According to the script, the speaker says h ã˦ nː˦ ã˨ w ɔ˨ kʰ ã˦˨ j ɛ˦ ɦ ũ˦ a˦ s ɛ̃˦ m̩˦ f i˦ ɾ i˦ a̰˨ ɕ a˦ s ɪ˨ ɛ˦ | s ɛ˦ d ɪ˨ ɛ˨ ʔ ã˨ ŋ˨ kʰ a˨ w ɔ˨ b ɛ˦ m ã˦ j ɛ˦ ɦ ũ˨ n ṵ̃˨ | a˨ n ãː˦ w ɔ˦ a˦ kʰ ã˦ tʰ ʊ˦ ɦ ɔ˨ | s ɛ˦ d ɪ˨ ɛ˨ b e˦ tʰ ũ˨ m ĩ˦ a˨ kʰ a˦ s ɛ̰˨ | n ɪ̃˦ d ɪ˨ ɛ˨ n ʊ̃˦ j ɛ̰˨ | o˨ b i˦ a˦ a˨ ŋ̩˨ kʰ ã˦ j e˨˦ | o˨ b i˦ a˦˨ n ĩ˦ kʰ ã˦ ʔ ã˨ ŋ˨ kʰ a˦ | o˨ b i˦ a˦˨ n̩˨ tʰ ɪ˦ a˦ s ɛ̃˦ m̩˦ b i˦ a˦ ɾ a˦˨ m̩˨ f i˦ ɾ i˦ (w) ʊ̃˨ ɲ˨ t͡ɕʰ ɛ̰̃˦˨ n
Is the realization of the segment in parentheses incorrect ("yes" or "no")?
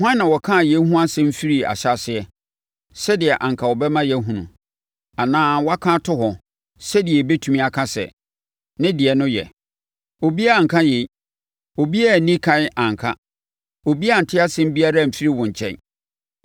no